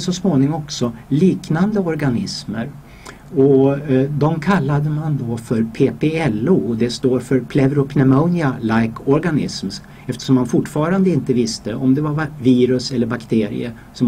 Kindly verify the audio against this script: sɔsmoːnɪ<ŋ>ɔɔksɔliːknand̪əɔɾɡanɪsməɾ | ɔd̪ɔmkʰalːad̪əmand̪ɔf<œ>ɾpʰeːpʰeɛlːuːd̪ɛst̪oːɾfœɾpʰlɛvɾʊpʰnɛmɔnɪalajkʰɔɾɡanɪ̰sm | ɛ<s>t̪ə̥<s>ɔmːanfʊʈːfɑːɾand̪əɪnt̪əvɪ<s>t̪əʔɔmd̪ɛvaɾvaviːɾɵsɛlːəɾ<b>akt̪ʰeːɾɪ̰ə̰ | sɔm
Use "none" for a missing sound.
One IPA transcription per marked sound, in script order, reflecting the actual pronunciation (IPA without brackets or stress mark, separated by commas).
ŋ, œ, f, ʂ, s, b